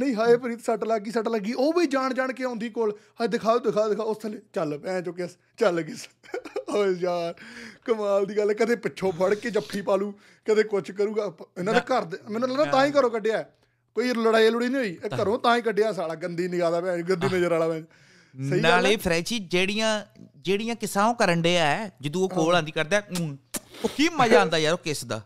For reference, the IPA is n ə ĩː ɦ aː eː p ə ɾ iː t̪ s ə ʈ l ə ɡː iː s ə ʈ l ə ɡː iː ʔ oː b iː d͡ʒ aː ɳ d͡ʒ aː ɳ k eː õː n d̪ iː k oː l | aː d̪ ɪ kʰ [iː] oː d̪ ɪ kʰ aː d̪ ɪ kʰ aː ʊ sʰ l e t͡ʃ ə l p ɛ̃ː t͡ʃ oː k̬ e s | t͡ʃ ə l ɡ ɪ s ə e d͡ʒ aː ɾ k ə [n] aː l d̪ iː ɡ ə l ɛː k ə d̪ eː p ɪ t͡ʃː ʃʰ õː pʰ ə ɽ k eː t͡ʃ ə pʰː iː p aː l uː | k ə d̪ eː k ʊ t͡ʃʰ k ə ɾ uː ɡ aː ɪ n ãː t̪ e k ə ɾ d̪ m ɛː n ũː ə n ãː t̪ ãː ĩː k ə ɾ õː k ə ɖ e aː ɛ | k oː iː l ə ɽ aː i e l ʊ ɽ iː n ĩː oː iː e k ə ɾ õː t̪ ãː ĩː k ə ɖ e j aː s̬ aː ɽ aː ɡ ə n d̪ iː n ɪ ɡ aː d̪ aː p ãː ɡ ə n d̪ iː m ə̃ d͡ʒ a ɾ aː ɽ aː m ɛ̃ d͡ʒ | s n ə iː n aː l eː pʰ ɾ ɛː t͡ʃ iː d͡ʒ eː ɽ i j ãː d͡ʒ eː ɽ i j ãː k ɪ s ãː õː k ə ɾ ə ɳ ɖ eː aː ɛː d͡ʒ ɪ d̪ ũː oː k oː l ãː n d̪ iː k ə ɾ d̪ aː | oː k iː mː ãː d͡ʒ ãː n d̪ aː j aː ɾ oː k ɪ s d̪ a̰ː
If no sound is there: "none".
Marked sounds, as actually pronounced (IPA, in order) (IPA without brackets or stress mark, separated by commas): aː, m